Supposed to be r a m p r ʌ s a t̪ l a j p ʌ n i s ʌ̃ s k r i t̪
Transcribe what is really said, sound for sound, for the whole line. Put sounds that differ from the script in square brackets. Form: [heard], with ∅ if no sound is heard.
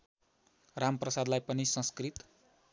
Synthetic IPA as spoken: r a m p r ʌ s a [d̪] l a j p ʌ n i s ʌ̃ s k r i t̪